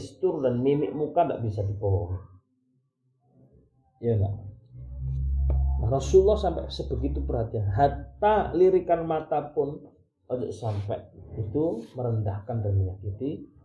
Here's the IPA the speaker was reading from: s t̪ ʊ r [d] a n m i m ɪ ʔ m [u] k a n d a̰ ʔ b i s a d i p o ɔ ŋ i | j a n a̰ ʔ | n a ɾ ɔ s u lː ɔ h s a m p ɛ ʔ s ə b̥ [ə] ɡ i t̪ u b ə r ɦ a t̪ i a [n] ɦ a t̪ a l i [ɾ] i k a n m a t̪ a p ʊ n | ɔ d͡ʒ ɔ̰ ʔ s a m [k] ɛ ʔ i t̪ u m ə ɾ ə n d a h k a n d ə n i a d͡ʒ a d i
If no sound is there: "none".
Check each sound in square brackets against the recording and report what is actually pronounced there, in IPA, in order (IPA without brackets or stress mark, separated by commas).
d, u, ə, n, ɾ, p